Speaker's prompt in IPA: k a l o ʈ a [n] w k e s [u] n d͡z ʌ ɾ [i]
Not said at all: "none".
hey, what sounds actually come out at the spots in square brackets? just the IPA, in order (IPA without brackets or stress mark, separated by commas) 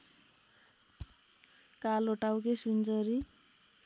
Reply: none, u, i